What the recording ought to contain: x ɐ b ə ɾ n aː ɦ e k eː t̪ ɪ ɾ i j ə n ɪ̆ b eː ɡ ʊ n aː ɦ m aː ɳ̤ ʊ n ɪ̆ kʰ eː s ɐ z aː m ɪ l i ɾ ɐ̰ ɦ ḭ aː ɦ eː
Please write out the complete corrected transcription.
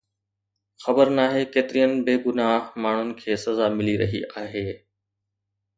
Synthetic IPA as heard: x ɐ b ə ɾ n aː ɦ e k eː t̪ ɪ ɾ i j ə n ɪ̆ b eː ɡ ʊ n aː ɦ m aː ɳ̤ ʊ n ɪ̆ kʰ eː s ɐ z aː m ɪ l i ɾ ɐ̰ ɦ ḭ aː ɦ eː